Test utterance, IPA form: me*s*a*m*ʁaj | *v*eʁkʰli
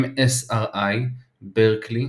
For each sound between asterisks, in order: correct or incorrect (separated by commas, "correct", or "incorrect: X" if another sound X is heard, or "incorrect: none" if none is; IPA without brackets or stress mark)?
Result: correct, incorrect: none, incorrect: b